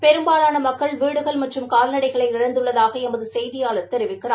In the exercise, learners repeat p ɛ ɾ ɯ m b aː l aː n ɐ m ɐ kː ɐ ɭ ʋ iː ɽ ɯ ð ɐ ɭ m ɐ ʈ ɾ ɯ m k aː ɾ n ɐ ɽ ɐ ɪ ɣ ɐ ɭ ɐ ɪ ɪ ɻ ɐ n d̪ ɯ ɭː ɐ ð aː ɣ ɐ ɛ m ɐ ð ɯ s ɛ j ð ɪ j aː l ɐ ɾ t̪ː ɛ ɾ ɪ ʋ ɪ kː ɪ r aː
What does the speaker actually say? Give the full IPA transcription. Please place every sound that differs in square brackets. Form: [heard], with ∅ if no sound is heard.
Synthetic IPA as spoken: p ɛ ɾ ɯ m b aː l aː n ɐ m ɐ kː ɐ ɭ ʋ iː ɽ ɯ [ɣ] ɐ ɭ m ɐ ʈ [r] ɯ m k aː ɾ n ɐ ɽ ɐ ɪ ɣ ɐ ɭ ɐ ɪ ɪ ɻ ɐ n d̪ ɯ ɭː ɐ ð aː ɣ ɐ ɛ m ɐ ð ɯ s ɛ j ð ɪ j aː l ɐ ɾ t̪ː ɛ ɾ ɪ ʋ ɪ kː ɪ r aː